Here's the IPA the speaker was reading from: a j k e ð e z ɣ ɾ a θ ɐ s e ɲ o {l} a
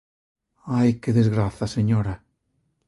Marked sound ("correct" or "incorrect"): incorrect